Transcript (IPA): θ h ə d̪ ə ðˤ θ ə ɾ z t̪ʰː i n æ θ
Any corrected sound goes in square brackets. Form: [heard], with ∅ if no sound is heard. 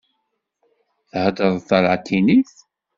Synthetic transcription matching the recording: θ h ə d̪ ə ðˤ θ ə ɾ [ʕ] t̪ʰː i n [i] θ